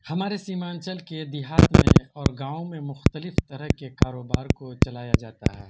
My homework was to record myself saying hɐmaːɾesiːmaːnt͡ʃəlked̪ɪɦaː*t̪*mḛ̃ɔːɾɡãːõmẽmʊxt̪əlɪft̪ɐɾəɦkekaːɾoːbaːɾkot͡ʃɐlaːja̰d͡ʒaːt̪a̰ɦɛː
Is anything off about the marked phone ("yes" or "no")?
no